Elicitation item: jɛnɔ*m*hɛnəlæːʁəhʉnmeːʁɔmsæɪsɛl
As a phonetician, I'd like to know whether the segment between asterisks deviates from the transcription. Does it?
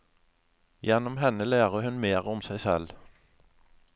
no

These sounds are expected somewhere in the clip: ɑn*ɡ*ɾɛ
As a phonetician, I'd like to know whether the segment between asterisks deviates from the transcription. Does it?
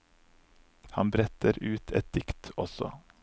yes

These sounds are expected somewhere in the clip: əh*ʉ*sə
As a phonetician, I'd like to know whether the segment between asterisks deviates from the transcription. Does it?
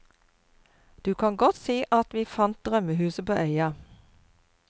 yes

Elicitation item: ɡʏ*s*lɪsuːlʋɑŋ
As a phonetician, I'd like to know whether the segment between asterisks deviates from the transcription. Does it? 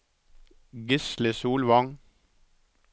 no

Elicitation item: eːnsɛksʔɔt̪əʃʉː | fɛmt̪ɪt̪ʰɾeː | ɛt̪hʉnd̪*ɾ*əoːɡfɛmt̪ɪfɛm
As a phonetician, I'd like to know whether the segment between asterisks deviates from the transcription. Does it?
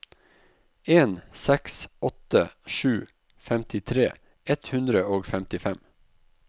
no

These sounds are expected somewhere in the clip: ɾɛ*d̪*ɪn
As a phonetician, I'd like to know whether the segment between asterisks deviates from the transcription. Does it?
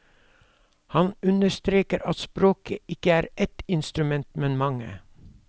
yes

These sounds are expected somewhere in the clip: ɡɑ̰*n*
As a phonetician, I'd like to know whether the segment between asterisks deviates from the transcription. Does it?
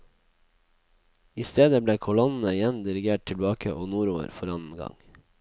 yes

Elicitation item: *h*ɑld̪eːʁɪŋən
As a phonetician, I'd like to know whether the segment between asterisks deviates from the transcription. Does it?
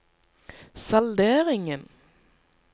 yes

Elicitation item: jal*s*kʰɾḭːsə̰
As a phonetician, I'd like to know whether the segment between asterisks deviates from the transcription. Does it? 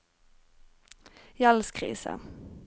no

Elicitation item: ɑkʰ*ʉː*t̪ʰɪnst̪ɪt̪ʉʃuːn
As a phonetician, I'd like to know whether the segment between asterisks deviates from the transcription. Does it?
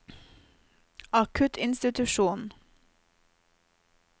yes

